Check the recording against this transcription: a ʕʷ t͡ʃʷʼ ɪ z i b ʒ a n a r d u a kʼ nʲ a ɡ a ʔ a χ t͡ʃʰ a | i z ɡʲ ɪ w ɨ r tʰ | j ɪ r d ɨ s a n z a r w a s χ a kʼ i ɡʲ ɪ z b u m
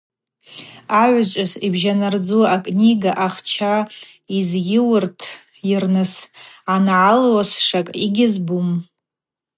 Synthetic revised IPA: a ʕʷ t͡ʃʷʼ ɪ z i b ʒ a n a r d͡z u a kʼ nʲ i ɡ a ʔ a χ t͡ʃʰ a | i z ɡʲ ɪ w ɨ r tʰ | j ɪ r n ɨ s a n ʕ a l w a s ʂ a kʼ i ɡʲ ɪ z b u m

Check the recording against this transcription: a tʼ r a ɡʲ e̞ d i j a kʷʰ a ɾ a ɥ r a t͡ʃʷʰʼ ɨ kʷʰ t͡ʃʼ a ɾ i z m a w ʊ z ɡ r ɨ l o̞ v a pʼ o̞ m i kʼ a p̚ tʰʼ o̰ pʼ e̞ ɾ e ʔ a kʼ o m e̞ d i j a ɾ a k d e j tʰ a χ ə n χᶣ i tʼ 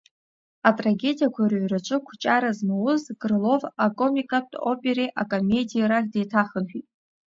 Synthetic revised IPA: a tʼ r a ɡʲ e̞ d i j a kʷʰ a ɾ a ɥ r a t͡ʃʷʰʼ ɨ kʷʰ t͡ʃʼ a ɾ a z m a w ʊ z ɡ r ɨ l o̞ v a kʼ o̞ m i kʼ a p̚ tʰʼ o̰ pʼ e̞ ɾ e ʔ a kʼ o m e̞ d i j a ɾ a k d e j tʰ a χ ə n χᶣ i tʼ

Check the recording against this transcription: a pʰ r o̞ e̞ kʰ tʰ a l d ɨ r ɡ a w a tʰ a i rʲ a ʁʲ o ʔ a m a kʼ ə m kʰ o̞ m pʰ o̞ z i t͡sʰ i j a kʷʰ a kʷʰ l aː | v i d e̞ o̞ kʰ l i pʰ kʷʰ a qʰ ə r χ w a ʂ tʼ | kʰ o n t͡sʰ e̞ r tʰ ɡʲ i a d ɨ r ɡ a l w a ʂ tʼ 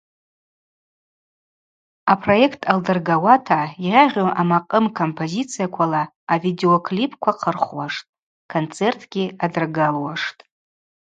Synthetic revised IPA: a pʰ r o̞ e̞ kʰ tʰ a l d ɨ r ɡ a w a tʰ a i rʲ a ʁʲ o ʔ a m a qʼ ə m kʰ o̞ m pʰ o̞ z i t͡sʰ i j a kʷʰ a l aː | v i d e̞ o̞ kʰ l i pʰ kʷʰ a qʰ ə r χ w a ʂ tʼ | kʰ o n t͡sʰ e̞ r tʰ ɡʲ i a d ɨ r ɡ a l w a ʂ tʼ

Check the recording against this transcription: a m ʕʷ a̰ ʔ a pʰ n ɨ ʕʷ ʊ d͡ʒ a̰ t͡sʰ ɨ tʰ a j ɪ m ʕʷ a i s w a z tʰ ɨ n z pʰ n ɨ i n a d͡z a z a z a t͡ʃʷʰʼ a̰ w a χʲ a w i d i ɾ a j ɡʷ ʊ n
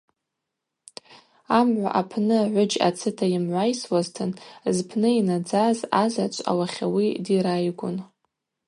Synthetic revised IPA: a m ʕʷ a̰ ʔ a pʰ n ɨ ʕʷ ʊ d͡ʒ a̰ t͡sʰ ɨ tʰ a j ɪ m ʕʷ a j s w a z tʰ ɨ n z pʰ n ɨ i n a d͡z a z a z a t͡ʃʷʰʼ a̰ w a χʲ a w i d i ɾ a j ɡʷ ʊ n

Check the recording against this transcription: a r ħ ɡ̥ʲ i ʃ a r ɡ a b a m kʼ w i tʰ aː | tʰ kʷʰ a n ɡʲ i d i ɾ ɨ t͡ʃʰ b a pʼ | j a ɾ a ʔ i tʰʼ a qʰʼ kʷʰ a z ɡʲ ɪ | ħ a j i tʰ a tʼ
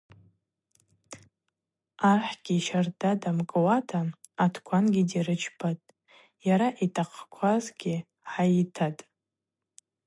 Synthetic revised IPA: a r ħ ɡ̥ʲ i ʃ a r d a d a m kʼ w a tʰ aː | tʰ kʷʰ a n ɡʲ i d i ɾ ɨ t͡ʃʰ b a tʼ | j a ɾ a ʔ i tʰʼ a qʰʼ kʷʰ a z ɡʲ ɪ | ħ a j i tʰ a tʼ

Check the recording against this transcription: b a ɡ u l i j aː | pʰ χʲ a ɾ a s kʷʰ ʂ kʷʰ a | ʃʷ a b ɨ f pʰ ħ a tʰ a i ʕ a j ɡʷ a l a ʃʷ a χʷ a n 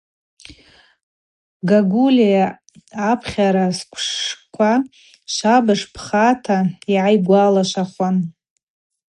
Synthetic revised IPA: ɡ a ɡ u l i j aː | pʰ χʲ a ɾ a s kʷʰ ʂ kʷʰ a | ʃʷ a b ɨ ʂ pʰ χ a tʰ a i ʕ a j ɡʷ a l a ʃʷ a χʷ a n

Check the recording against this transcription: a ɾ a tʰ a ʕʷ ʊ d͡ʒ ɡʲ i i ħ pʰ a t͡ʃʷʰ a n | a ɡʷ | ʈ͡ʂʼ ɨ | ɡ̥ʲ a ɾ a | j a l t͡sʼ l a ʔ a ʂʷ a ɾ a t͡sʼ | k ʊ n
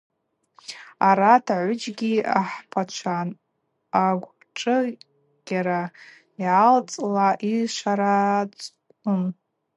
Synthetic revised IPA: a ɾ a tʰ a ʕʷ ʊ d͡ʒ ɡʲ i a ħ pʰ a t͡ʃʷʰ a n | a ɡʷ | ʈ͡ʂʼ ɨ | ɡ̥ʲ a ɾ a | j a l t͡sʼ l a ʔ i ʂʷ a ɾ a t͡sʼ | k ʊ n

